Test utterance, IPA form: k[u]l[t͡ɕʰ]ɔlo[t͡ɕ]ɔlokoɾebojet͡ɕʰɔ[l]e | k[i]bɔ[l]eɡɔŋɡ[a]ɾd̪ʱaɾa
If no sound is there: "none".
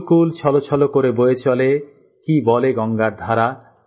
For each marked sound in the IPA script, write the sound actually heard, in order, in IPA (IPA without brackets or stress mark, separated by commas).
u, t͡ɕʰ, t͡ɕʰ, l, i, l, a